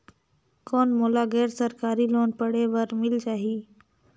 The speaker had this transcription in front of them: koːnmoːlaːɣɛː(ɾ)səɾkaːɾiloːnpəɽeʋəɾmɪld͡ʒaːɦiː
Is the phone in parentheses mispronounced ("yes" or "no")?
no